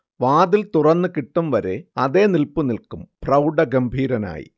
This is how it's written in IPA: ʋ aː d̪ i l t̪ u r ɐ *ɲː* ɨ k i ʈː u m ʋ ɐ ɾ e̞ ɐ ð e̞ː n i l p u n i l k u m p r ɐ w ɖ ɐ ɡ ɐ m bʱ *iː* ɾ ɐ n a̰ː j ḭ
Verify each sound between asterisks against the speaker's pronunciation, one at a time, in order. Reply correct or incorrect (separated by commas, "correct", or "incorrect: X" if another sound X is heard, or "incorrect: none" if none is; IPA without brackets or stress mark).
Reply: incorrect: nː, correct